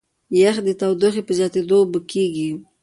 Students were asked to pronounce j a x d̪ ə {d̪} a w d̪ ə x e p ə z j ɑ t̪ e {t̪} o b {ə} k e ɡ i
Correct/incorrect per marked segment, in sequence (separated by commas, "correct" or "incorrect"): incorrect, incorrect, correct